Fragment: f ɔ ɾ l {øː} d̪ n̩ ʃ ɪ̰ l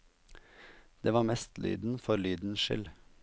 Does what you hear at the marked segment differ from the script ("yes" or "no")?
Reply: yes